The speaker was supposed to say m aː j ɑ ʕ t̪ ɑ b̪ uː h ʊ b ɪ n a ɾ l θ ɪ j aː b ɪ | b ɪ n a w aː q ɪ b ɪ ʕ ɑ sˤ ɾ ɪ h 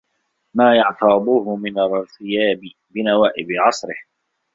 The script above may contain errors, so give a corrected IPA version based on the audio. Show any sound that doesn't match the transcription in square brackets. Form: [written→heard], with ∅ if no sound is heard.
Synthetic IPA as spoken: m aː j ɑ ʕ t̪ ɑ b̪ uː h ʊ [b→m] ɪ n a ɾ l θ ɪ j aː b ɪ | b ɪ n a w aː [q→ʔ] ɪ b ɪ ʕ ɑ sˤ ɾ ɪ h

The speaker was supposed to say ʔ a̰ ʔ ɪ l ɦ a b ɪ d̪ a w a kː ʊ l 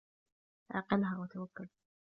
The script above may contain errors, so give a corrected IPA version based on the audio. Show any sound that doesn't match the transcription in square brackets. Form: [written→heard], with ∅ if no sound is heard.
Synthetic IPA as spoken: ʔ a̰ [ʔ→q] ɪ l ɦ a [b→w] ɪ [d̪→t̪] a w a kː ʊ l

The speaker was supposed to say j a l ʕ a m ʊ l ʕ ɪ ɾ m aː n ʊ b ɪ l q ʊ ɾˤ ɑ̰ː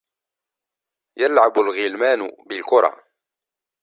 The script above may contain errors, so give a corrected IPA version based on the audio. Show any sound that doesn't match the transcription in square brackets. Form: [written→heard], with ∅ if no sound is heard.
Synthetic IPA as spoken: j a l ʕ a [m→b] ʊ l [ʕ→ɣ] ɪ [ɾ→l] m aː n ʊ b ɪ l [q→k] ʊ ɾˤ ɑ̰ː

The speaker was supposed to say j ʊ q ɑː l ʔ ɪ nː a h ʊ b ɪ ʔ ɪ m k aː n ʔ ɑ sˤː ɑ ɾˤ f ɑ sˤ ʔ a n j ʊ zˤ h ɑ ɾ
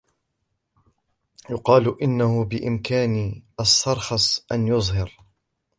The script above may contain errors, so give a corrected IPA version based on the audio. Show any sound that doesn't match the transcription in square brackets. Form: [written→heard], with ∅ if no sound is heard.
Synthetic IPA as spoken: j ʊ q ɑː l ʔ ɪ nː a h ʊ b ɪ ʔ ɪ m k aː n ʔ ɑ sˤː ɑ ɾˤ [f→x] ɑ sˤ ʔ a n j ʊ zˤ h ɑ ɾ

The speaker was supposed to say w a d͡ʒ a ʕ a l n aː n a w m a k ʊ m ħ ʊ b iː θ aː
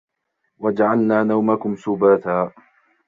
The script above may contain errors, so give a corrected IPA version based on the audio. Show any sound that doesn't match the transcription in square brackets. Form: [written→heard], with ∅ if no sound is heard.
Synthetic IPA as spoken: w a d͡ʒ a ʕ a l n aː n a w m a k ʊ m [ħ→s] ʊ b [iː→aː] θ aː

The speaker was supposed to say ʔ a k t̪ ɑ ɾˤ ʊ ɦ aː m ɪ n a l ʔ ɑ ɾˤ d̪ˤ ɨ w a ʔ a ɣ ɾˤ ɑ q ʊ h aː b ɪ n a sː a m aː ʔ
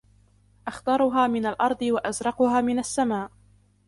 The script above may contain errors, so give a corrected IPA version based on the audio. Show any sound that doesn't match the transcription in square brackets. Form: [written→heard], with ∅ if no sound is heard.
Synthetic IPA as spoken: ʔ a [k→x] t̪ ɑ ɾˤ ʊ ɦ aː m ɪ n a l ʔ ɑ ɾˤ d̪ˤ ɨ w a ʔ a [ɣ→z] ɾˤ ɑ q ʊ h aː [b→m] ɪ n a sː a m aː ʔ

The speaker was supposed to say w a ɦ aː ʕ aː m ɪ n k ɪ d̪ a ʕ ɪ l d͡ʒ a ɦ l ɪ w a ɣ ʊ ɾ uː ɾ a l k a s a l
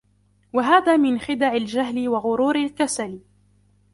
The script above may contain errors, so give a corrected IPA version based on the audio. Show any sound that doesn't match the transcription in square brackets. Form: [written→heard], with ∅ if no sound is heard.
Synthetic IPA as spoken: w a ɦ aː [ʕ→ð] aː m ɪ n [k→x] ɪ d̪ a ʕ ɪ l d͡ʒ a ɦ l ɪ w a ɣ ʊ ɾ uː ɾ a l k a s a l

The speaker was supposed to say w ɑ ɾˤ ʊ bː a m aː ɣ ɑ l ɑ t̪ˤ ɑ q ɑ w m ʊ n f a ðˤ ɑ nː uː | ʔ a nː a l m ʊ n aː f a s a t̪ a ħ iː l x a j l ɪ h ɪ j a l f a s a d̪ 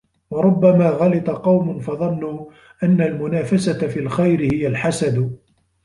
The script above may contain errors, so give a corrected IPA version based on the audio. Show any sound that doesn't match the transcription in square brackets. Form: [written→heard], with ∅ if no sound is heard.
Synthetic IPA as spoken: w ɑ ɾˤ ʊ bː a m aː ɣ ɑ l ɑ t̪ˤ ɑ q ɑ w m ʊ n f [a→ɑ] ðˤ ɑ nː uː | ʔ a nː a l m ʊ n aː f a s a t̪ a [ħ→f] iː l x a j [l→ɾ] ɪ h ɪ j a l [f→ħ] a s a d̪

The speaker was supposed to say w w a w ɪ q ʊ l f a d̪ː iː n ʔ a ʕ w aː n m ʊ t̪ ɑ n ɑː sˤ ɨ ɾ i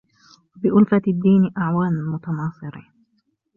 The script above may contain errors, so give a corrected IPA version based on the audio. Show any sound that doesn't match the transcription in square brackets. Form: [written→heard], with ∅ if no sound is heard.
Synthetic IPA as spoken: w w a [w→b] ɪ [q→ʔ] ʊ l f a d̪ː iː n ʔ a ʕ w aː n m ʊ t̪ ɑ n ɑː sˤ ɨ ɾ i

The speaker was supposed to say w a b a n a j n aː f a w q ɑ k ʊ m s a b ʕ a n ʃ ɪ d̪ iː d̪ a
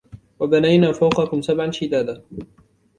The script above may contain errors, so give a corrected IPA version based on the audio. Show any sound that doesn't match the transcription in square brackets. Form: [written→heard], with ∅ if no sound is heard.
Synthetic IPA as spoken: w a b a n a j n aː f a w q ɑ k ʊ m s a b ʕ a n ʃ ɪ d̪ [iː→aː] d̪ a

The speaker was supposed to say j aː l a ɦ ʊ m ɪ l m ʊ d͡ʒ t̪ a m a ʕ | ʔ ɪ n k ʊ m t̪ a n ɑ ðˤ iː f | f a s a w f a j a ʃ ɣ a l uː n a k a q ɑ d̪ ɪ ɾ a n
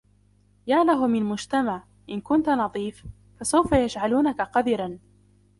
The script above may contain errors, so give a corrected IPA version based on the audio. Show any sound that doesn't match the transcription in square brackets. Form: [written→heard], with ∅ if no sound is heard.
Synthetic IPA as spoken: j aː l a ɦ ʊ m ɪ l m ʊ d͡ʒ t̪ a m a ʕ | ʔ ɪ n k ʊ [m→n] t̪ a n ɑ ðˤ iː f | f a s a w f a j a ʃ [ɣ→ʕ] a l uː n a k a q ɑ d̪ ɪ ɾ a n

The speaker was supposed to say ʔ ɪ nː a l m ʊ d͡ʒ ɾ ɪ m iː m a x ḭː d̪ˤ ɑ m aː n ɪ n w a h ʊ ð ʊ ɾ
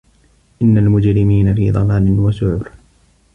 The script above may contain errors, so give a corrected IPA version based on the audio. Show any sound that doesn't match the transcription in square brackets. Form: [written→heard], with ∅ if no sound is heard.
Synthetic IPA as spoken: ʔ ɪ nː a l m ʊ d͡ʒ ɾ ɪ m iː [m→n] a [x→f] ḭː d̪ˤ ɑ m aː n ɪ n w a [h→s] ʊ [ð→ʕ] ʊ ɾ

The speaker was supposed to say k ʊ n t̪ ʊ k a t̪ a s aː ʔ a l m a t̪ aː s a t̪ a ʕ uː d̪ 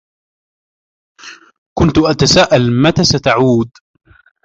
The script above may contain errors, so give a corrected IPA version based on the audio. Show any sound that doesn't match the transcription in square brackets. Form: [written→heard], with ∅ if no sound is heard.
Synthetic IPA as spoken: k ʊ n t̪ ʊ [k→ʔ] a t̪ a s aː ʔ a l m a t̪ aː s a t̪ a ʕ uː d̪

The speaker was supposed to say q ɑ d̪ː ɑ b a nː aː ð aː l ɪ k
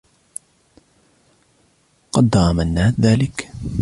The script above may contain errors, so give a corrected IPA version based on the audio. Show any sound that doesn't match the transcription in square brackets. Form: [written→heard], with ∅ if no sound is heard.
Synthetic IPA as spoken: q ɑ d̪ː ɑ [b→m] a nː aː ð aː l ɪ k

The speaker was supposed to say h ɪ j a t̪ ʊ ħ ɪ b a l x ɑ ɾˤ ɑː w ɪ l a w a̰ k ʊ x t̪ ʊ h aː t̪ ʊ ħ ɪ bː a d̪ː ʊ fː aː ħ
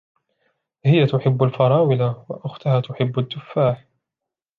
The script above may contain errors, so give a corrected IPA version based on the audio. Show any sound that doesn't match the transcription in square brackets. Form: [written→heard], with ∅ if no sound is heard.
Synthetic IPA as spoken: h ɪ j a t̪ ʊ ħ ɪ [b→bː] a l [x→f] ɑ ɾˤ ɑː w ɪ l a w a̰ [k→ʔ] ʊ x t̪ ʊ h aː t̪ ʊ ħ ɪ bː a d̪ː ʊ fː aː ħ

